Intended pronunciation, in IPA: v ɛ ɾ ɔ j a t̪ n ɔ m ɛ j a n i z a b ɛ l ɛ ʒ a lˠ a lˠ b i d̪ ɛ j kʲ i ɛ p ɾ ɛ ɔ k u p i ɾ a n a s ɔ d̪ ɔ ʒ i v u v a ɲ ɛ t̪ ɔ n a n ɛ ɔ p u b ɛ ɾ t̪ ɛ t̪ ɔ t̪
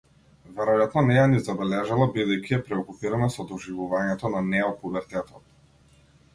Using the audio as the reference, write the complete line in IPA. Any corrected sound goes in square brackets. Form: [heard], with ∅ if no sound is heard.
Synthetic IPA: v ɛ ɾ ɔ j a t̪ n ɔ [n] ɛ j a n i z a b ɛ l ɛ ʒ a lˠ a [∅] b i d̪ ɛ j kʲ i ɛ p ɾ ɛ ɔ k u p i ɾ a n a s ɔ d̪ ɔ ʒ i v u v a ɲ ɛ t̪ ɔ n a n ɛ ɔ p u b ɛ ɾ t̪ ɛ t̪ ɔ t̪